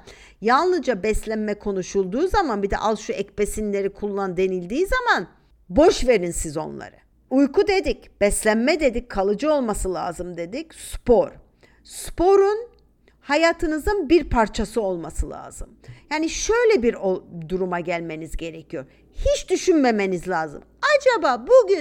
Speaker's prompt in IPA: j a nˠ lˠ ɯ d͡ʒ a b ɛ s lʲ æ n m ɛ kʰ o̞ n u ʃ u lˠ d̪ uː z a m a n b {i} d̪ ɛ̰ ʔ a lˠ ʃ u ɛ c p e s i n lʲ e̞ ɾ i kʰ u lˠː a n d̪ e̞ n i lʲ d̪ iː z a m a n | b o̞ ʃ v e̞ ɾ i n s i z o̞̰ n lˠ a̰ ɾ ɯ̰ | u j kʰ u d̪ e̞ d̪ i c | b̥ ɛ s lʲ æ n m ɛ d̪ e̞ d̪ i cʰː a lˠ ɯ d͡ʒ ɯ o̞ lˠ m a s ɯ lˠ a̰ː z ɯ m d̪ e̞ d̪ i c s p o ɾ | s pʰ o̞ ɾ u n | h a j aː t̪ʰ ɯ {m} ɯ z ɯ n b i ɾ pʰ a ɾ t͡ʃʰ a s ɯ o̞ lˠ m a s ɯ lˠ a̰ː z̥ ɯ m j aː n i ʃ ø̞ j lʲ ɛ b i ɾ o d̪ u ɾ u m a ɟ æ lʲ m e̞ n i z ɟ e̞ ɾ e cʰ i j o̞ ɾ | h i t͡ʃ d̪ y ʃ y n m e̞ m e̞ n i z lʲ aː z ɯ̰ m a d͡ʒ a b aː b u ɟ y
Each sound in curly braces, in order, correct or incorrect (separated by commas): correct, incorrect